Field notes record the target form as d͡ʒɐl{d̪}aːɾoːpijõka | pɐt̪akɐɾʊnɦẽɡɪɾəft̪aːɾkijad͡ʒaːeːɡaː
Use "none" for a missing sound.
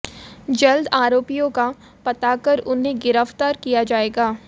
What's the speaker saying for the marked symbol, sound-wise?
d̪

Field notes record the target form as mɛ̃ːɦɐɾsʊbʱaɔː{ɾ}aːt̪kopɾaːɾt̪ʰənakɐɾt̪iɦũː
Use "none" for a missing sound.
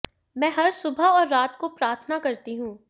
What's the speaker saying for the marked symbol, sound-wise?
ɾː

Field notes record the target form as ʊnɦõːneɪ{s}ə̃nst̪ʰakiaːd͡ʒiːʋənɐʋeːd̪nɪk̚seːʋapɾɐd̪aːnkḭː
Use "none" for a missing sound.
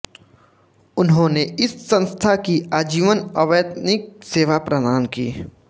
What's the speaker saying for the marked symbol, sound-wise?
sː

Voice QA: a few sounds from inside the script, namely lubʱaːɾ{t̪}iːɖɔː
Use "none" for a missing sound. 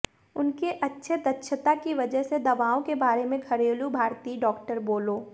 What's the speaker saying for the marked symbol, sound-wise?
t̪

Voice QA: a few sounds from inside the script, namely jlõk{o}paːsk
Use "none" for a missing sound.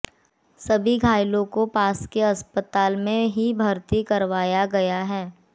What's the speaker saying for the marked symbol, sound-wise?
o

